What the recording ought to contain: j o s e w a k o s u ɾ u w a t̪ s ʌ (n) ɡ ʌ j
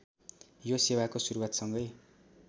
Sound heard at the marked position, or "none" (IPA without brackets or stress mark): ŋ